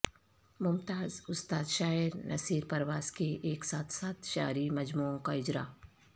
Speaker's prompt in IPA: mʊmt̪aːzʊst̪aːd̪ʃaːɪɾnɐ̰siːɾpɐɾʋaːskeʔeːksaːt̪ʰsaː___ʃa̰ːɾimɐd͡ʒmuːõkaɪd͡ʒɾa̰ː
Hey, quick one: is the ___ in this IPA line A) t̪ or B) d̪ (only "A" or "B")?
A